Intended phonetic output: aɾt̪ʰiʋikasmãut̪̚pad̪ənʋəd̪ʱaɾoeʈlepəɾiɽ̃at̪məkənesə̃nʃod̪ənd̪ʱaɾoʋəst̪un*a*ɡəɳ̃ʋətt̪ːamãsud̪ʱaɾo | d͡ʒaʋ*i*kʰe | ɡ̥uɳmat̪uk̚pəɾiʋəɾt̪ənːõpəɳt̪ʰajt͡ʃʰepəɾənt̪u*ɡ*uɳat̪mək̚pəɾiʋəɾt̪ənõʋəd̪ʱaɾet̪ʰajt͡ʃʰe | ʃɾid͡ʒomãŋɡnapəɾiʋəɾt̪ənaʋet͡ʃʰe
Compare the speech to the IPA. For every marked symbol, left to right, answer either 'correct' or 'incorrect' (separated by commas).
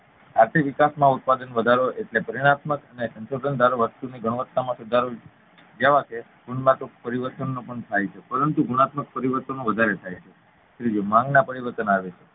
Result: incorrect, incorrect, correct